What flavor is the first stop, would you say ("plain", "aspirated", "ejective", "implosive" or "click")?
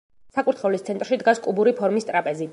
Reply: ejective